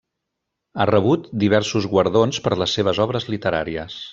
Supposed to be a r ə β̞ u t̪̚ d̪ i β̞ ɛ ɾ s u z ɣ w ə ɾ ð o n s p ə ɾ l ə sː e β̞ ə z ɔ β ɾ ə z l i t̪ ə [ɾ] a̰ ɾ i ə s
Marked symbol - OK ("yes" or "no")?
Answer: yes